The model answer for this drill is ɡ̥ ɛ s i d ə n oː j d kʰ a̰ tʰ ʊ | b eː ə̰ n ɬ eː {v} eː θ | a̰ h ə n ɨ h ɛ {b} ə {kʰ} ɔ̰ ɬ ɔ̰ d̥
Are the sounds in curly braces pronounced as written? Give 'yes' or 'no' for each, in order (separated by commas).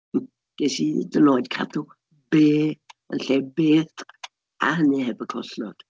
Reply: no, yes, yes